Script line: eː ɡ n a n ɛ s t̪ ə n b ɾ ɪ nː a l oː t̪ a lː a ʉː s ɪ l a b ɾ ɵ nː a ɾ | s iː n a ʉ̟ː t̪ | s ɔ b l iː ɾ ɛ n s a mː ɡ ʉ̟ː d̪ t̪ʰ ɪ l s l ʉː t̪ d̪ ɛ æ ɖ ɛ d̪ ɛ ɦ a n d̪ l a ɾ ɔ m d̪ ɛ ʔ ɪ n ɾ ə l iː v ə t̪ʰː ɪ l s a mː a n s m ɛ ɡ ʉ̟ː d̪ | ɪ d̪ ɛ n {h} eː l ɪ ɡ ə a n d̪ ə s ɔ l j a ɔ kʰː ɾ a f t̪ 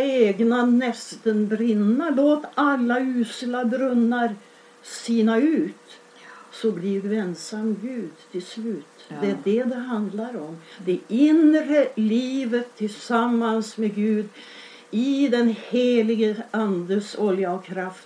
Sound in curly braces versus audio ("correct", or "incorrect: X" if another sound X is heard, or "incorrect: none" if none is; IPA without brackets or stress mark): correct